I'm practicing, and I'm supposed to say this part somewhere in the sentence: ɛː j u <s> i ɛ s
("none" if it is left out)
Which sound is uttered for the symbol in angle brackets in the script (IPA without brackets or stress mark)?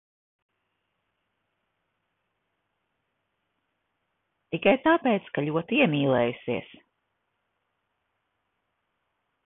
s